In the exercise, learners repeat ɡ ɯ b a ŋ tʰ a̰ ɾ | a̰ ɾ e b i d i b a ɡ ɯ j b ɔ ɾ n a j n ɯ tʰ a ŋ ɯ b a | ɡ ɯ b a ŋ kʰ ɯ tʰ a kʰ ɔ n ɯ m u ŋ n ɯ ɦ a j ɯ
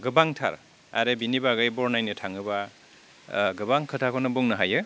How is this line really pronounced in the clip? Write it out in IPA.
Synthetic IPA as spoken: ɡ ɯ b a ŋ tʰ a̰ ɾ | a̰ ɾ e b i n i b a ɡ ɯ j b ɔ ɾ n a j n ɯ tʰ a ŋ ɯ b a | ɡ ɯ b a ŋ kʰ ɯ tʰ a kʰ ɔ n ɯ b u ŋ n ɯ ɦ a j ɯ